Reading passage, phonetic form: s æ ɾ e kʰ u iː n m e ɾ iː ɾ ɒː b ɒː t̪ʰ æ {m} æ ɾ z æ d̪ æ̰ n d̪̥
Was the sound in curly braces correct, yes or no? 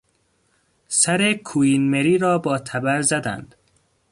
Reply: no